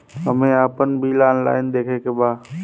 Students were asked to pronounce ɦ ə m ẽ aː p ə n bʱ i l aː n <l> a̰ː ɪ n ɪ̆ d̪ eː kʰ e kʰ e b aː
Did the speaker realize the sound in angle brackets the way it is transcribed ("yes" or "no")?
yes